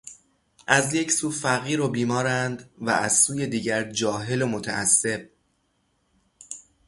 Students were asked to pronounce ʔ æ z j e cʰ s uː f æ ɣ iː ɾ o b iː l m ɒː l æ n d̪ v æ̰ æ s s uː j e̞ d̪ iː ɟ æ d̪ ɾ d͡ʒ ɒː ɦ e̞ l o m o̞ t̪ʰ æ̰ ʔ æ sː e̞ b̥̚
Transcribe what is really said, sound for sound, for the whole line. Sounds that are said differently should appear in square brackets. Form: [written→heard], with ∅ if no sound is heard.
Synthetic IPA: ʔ æ z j e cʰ s uː f æ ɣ iː ɾ o b iː [l→∅] m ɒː [l→ɾ] æ n d̪ v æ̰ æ [s→z] s uː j e̞ d̪ iː ɟ æ [d̪→∅] ɾ d͡ʒ ɒː ɦ e̞ l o m o̞ t̪ʰ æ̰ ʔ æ sː e̞ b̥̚